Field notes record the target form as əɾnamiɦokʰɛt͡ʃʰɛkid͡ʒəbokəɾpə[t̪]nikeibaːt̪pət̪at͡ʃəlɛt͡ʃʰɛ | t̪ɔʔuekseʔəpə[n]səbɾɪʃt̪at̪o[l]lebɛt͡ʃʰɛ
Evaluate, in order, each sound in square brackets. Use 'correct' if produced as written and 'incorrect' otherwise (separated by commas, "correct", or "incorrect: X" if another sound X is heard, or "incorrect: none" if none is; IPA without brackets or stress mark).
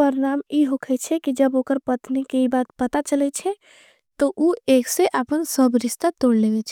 correct, correct, incorrect: ɽ